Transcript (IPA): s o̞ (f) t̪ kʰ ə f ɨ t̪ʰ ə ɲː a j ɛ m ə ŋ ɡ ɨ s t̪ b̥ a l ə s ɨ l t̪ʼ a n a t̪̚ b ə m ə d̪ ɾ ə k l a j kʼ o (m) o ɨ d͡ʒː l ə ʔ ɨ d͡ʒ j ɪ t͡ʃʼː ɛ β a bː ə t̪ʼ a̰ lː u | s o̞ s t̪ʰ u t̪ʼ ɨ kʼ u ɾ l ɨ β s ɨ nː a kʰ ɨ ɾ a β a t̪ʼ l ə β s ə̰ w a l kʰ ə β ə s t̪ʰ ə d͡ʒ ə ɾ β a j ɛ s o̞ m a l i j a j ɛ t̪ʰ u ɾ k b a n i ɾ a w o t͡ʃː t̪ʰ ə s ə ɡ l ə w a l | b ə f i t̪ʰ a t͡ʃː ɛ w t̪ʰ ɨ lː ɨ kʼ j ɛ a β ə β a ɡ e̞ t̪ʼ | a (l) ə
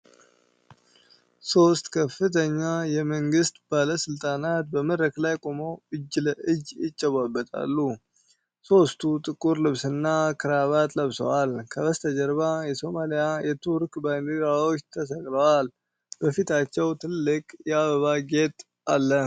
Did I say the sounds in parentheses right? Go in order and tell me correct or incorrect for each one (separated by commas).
incorrect, correct, incorrect